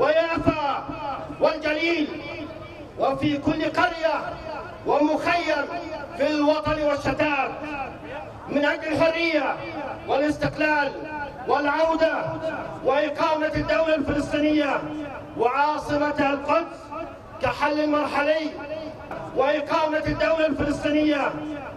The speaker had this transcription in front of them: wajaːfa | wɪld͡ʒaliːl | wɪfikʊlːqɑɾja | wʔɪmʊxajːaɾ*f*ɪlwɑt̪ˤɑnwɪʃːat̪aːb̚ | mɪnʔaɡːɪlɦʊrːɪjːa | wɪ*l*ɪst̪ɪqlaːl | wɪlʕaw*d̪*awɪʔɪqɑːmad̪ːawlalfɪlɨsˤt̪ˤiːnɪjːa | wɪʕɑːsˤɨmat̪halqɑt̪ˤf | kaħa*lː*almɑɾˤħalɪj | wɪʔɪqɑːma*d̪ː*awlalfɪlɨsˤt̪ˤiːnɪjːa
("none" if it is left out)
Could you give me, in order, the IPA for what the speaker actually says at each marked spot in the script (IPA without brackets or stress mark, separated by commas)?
f, l, d̪, lː, d̪ː